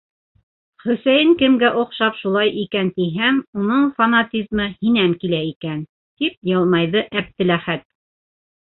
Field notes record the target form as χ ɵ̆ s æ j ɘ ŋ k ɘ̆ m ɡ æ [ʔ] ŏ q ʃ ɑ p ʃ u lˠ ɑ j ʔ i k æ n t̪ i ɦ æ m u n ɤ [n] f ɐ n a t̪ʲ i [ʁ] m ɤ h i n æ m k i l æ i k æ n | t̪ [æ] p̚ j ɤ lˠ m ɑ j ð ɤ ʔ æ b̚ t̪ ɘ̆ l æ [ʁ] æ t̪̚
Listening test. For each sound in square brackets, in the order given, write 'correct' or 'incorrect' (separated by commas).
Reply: correct, incorrect, incorrect, incorrect, incorrect